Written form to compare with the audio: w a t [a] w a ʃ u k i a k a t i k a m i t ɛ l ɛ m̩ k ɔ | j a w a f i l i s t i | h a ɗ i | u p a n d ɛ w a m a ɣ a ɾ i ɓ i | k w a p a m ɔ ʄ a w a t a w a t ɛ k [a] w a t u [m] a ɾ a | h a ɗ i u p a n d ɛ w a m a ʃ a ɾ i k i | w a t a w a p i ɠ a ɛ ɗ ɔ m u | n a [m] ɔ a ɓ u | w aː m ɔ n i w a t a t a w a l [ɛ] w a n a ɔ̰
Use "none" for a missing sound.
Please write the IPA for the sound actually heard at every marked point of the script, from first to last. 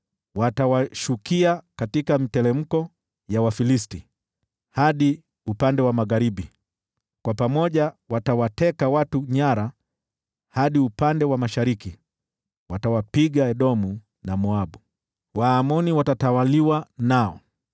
a, a, ɲ, m, i

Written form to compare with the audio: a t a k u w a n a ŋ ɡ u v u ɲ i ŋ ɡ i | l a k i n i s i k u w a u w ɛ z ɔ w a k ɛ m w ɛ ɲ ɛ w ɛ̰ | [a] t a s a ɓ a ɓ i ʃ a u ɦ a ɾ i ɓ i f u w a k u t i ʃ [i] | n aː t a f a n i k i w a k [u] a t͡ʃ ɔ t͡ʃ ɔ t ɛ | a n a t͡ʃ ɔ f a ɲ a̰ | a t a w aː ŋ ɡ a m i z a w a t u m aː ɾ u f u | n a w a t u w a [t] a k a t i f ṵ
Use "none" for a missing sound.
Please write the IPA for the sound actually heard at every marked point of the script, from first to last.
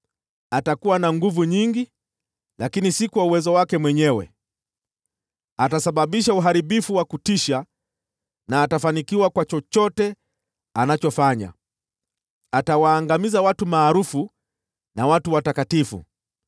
a, a, w, t

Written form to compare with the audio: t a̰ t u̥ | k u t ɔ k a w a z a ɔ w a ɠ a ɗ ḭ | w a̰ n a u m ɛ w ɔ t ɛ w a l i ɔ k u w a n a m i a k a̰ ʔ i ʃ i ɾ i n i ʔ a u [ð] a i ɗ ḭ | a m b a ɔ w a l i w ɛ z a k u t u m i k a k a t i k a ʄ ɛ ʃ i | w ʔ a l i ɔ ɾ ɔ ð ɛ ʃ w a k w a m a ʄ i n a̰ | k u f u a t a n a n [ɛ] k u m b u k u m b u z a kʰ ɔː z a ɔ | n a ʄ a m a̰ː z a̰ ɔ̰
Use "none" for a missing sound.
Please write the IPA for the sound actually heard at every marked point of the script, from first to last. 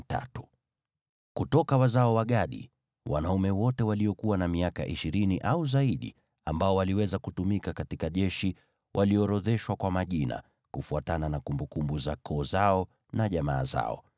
z, a

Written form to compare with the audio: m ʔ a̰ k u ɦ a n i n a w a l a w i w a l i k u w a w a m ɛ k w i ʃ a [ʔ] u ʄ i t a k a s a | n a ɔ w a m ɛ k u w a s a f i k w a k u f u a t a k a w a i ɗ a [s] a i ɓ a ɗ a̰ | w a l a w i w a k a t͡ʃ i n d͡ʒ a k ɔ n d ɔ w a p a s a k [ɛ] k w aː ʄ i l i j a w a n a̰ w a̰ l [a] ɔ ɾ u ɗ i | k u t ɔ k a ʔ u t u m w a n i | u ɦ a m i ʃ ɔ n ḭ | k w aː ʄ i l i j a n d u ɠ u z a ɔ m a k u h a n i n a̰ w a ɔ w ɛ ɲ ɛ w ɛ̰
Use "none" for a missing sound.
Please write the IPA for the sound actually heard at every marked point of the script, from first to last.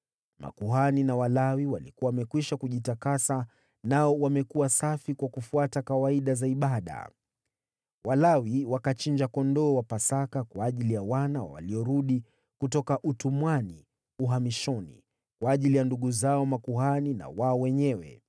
k, z, a, i

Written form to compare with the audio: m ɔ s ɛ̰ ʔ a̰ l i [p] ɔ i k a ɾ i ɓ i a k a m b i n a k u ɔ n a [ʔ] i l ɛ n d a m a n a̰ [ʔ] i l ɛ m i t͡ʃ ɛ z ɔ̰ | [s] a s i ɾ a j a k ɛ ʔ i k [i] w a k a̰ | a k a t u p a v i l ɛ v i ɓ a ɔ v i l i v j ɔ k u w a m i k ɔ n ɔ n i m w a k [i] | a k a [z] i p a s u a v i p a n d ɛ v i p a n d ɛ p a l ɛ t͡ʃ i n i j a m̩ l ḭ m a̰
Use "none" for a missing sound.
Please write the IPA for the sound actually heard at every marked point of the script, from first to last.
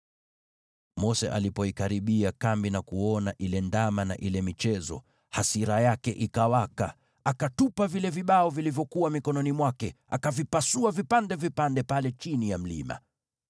p, ʔ, ʔ, h, a, ɛ, v

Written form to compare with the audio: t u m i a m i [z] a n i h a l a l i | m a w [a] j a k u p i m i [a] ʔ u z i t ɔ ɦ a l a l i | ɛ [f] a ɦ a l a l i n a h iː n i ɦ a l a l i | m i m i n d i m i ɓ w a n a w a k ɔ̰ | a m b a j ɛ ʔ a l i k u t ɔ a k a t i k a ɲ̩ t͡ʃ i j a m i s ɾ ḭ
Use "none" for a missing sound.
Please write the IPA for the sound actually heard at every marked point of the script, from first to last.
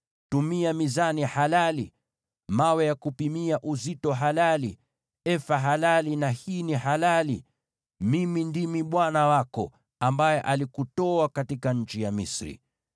z, ɛ, a, f

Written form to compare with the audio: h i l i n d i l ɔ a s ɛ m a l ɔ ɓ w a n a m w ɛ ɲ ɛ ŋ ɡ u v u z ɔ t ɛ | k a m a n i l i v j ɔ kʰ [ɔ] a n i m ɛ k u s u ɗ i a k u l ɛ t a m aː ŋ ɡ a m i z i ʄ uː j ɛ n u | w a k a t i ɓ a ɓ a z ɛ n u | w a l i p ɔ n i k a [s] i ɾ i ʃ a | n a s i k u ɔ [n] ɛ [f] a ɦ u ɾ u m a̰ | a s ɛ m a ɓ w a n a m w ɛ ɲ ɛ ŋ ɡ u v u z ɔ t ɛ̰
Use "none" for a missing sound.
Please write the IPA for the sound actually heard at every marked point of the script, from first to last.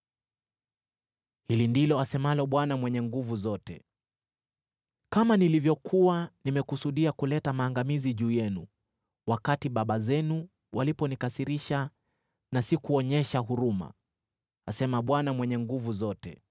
u, s, ɲ, ʃ

